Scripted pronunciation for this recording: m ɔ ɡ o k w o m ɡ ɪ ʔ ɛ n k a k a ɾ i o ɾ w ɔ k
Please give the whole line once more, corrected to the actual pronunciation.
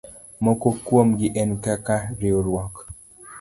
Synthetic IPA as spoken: m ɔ k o k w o m ɡ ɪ ʔ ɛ n k a k a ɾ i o ɾ w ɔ k